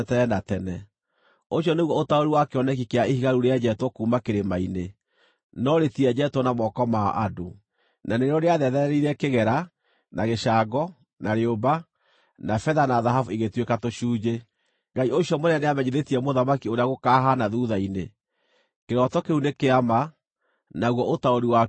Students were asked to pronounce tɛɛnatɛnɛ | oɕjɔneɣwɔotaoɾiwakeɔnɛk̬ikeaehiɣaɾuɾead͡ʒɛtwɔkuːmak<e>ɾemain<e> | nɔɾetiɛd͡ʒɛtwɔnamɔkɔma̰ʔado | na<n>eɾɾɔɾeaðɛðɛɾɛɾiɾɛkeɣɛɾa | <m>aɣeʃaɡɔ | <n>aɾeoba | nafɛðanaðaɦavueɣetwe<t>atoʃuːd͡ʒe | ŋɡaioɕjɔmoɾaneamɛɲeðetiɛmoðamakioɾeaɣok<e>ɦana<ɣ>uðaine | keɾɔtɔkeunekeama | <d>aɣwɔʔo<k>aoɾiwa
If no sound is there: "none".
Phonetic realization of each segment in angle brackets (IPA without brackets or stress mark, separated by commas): e, e, n, n, n, k, a, ð, n, t